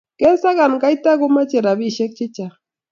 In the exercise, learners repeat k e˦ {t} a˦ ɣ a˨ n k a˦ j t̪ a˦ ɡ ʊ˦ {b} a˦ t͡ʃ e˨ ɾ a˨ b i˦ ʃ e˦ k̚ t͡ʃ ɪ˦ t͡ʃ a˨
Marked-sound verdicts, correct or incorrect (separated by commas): incorrect, incorrect